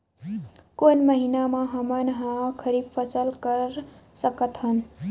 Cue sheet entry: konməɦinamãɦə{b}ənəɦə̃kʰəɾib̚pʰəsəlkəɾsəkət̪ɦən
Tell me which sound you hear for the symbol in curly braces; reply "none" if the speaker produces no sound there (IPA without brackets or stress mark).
m